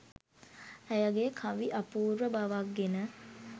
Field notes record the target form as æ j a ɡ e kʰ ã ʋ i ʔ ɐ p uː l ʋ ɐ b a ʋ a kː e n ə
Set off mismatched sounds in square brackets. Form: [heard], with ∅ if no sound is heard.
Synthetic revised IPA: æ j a ɡ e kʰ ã ʋ i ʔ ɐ p uː [ɾ] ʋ [ə] b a ʋ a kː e n ə